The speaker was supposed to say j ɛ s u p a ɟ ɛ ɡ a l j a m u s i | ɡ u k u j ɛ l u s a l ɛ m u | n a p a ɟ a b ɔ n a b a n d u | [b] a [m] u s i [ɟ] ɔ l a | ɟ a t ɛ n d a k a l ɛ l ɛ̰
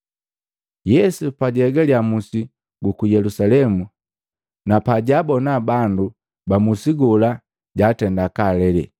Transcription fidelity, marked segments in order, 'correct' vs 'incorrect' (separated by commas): correct, correct, incorrect